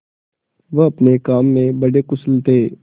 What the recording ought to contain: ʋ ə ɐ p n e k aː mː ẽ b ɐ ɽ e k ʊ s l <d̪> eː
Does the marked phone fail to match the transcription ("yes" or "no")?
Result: yes